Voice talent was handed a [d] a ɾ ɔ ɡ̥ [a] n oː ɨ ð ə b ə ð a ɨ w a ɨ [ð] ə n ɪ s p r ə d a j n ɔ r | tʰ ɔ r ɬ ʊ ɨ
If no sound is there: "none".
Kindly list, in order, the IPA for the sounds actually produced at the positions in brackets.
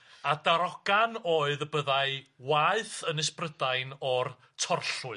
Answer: d, a, θ

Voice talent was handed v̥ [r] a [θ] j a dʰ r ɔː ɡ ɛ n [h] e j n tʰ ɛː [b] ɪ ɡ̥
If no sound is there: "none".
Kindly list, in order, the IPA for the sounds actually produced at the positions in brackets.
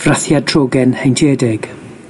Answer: r, θ, h, d

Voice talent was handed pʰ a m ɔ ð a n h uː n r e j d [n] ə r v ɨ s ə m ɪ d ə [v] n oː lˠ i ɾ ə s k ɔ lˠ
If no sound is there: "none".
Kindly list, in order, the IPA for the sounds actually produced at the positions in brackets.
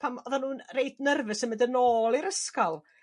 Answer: n, none

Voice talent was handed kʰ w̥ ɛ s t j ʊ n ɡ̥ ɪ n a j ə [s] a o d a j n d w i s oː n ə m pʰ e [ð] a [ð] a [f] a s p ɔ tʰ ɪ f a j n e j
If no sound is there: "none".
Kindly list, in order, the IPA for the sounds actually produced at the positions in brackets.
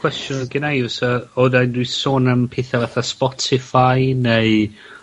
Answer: s, θ, v, θ

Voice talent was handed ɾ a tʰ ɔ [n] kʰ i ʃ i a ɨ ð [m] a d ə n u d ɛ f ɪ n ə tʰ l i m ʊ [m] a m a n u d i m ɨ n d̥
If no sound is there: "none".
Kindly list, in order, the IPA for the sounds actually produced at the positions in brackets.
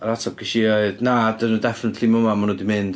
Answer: none, n, m

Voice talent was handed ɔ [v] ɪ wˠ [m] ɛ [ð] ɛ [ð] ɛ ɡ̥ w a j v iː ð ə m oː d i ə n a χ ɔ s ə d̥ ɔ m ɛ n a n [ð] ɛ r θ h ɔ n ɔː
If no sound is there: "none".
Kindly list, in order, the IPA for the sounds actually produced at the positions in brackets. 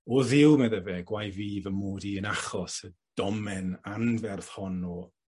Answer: ð, m, ð, v, v

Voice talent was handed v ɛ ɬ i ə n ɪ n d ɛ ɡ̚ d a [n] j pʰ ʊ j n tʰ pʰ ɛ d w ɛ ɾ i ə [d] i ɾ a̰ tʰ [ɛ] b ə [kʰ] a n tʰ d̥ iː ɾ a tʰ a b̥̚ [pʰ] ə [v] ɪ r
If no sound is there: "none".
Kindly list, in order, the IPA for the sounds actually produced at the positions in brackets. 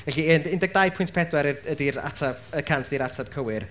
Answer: none, d, a, kʰ, kʰ, w

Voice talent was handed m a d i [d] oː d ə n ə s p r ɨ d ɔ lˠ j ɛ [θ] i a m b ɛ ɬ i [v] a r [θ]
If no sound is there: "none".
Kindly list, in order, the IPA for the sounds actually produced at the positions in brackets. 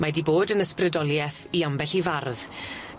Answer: b, θ, v, ð

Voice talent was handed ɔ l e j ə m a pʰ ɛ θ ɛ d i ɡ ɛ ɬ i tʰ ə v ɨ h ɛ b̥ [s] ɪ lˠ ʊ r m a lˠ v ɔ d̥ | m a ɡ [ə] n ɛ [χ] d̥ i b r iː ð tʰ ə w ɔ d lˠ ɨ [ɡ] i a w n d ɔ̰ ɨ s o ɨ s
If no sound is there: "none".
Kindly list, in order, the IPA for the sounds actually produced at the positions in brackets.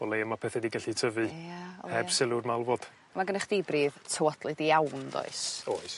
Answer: s, ə, χ, d

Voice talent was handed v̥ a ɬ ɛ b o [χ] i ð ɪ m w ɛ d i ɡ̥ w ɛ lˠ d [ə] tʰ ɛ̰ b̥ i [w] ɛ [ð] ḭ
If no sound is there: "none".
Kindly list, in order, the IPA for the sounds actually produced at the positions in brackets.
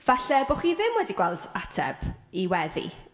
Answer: χ, a, w, ð

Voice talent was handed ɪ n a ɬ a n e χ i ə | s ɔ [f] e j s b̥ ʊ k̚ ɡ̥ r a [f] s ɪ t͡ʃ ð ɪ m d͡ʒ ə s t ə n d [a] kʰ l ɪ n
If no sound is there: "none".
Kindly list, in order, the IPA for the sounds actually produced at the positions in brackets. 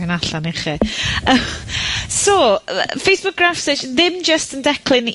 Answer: f, f, ɛ

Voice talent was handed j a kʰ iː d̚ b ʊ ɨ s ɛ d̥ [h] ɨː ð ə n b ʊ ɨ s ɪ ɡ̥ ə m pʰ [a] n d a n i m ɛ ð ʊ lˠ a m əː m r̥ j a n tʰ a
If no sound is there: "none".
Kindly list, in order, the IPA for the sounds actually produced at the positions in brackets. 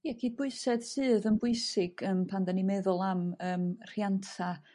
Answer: s, a

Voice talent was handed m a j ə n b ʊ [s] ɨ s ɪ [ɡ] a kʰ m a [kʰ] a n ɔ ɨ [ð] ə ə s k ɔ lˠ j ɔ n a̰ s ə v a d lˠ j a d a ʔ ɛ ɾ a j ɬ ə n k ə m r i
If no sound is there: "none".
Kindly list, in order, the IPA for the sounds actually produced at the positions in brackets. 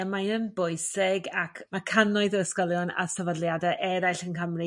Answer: none, ɡ, kʰ, ð

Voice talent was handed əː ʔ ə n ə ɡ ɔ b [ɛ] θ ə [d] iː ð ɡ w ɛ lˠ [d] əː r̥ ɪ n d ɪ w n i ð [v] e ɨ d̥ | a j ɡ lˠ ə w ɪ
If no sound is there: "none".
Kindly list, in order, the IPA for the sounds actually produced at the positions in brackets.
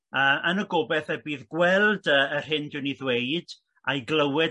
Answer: ɛ, b, d, w

